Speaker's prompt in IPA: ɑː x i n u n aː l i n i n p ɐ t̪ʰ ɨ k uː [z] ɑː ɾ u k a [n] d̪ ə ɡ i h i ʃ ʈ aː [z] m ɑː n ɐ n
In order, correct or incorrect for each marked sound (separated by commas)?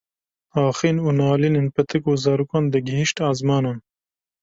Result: correct, correct, correct